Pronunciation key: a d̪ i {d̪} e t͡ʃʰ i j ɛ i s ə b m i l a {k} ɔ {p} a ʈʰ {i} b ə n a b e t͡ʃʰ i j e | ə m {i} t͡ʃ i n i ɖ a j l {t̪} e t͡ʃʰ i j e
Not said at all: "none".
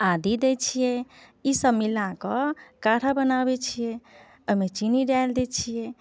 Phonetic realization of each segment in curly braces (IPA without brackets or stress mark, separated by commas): d̪, k, k, a, e, d̪